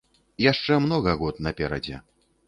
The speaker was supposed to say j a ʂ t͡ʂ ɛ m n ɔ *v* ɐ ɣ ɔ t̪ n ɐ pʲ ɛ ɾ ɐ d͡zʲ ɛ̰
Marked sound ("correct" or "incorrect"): incorrect